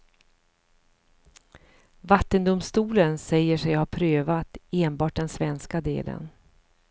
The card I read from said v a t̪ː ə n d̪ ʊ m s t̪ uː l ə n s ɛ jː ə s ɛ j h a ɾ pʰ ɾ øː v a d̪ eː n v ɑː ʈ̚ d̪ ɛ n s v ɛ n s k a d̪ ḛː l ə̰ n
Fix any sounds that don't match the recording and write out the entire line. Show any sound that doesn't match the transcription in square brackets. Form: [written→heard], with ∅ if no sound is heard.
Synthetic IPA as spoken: v a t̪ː ə n d̪ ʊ m s t̪ uː l ə n s ɛ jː ə [s→ʂ] ɛ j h a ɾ pʰ ɾ øː v a [d̪→t̪] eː n [v→b] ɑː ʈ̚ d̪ ɛ n s v ɛ n s k a d̪ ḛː l ə̰ n